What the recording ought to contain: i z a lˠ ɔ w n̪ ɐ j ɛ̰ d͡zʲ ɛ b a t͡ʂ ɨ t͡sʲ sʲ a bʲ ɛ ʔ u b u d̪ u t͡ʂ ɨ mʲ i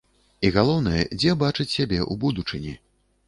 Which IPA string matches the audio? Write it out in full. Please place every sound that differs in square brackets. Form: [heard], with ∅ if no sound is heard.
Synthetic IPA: i [ɣ] a lˠ ɔ w n̪ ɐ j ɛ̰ d͡zʲ ɛ b a t͡ʂ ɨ t͡sʲ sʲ a bʲ ɛ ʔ u b u d̪ u t͡ʂ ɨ [nʲ] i

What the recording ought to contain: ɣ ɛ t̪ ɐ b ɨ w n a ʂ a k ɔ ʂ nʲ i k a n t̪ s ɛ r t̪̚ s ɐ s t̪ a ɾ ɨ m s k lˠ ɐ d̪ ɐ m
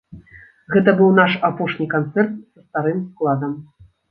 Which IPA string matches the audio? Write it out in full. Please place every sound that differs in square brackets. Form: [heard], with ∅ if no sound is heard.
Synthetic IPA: ɣ ɛ t̪ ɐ b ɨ w n a ʂ a [p] ɔ ʂ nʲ i k a n t̪ s ɛ r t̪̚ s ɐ s t̪ a ɾ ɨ m s k lˠ [a] d̪ ɐ m

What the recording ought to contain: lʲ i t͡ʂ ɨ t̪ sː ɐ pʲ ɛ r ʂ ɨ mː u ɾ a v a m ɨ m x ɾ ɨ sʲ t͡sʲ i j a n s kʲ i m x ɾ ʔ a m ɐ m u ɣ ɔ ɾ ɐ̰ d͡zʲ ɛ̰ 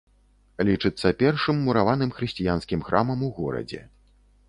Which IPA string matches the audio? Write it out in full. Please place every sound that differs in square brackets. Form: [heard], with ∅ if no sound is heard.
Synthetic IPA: lʲ i t͡ʂ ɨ t̪ sː ɐ pʲ ɛ r ʂ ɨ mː u ɾ a v a [n] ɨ m x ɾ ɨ sʲ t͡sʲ i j a n s kʲ i m x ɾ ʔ a m ɐ m u ɣ ɔ ɾ ɐ̰ d͡zʲ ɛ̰

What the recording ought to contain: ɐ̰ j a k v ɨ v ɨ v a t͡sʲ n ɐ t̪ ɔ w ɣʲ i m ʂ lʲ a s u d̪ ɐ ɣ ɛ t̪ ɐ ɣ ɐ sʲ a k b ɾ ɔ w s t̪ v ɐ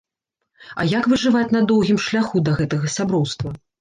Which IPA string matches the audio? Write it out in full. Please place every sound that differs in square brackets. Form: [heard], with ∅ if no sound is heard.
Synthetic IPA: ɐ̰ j a k v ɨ [ʐ] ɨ v a t͡sʲ n ɐ [d̪] ɔ w ɣʲ i m ʂ lʲ a [x] u d̪ ɐ ɣ ɛ t̪ ɐ ɣ ɐ sʲ a [∅] b ɾ ɔ w s t̪ v ɐ

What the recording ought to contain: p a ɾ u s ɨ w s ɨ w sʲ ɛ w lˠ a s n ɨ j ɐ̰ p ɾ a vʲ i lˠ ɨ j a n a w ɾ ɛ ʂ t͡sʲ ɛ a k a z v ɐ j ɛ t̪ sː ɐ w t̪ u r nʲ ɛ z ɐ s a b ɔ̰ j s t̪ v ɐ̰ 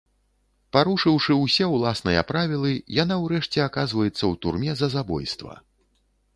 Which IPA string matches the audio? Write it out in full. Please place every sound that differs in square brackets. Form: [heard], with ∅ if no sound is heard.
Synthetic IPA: p a ɾ u [ʂ] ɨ w [ʂ] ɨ w sʲ ɛ w lˠ a s n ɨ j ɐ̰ p ɾ a vʲ i lˠ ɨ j a n a w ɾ ɛ ʂ t͡sʲ ɛ a k a z v ɐ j ɛ t̪ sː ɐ w t̪ u r [mʲ] ɛ z ɐ [z] a b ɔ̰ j s t̪ v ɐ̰

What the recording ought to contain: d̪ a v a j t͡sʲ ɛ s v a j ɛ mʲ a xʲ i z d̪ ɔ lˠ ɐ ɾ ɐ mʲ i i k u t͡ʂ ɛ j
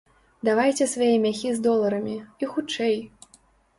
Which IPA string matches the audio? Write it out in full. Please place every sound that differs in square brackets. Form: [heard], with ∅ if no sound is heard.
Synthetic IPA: d̪ a v a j t͡sʲ ɛ s v a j ɛ mʲ a xʲ i z d̪ ɔ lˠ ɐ ɾ ɐ mʲ i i [x] u t͡ʂ ɛ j

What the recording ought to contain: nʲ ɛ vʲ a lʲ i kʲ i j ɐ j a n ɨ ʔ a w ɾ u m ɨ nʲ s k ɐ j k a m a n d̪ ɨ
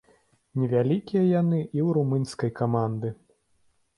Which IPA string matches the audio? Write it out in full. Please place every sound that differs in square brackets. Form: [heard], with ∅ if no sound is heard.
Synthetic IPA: nʲ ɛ vʲ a lʲ i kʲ i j ɐ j a n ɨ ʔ [i] w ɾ u m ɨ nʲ s k ɐ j k a m a n d̪ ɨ

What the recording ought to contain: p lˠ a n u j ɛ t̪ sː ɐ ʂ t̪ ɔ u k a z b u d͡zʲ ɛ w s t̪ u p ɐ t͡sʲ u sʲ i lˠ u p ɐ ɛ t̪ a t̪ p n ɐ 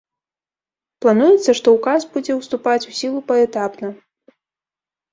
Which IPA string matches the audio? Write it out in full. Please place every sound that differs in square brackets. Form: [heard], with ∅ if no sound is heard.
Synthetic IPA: p lˠ a n u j ɛ t̪ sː ɐ ʂ t̪ ɔ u k a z b u d͡zʲ ɛ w s t̪ u p [a] t͡sʲ u sʲ i lˠ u p ɐ ɛ t̪ a [∅] p n ɐ

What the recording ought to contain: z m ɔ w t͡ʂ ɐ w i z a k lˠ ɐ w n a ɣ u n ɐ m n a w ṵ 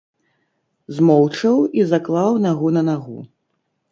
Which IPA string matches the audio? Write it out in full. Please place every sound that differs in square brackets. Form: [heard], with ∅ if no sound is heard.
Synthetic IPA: z m ɔ w t͡ʂ ɐ w i z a k lˠ [a] w n a ɣ u n ɐ [∅] n a [ɣ] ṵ

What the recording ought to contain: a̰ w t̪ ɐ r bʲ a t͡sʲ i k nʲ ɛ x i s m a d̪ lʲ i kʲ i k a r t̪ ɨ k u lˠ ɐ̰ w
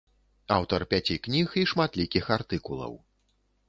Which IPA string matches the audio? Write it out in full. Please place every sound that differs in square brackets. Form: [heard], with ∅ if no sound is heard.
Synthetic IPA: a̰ w t̪ ɐ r [pʲ] a t͡sʲ i k nʲ [i] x i [ʂ] m a [t̪] lʲ i kʲ i [x] a r t̪ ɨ k u lˠ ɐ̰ w

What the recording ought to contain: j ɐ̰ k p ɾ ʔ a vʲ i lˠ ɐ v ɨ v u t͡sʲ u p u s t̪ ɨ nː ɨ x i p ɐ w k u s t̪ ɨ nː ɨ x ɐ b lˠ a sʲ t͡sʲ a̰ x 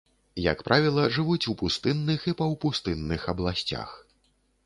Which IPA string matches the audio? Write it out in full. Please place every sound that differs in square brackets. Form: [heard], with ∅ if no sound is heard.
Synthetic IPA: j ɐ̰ k p ɾ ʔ a vʲ i lˠ ɐ [ʐ] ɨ v u t͡sʲ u p u s t̪ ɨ nː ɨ x i p ɐ w [p] u s t̪ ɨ nː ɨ x ɐ b lˠ a sʲ t͡sʲ a̰ x

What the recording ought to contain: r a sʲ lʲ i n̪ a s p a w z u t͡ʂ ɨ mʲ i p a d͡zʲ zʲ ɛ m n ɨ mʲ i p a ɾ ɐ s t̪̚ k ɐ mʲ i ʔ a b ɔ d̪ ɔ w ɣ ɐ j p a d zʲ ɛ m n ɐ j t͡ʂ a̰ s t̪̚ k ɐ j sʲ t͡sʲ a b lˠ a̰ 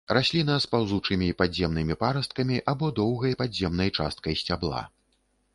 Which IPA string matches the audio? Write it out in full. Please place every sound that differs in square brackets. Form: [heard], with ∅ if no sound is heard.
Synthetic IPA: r a sʲ lʲ i n̪ a s p a w z u t͡ʂ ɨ mʲ i p a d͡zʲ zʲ ɛ m n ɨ mʲ i p a ɾ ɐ s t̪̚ k ɐ mʲ i ʔ a b ɔ d̪ ɔ w ɣ ɐ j p a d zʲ ɛ m n ɐ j t͡ʂ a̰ s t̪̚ k ɐ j sʲ t͡sʲ a b lˠ a̰

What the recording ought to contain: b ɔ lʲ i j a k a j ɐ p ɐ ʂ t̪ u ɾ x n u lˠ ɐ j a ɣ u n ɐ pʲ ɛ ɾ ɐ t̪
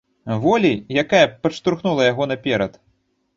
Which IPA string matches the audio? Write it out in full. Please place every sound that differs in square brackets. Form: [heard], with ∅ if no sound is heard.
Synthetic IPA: [v] ɔ lʲ i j a k a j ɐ p ɐ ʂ t̪ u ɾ x n u lˠ ɐ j a ɣ [ɔ] n ɐ pʲ ɛ ɾ ɐ t̪

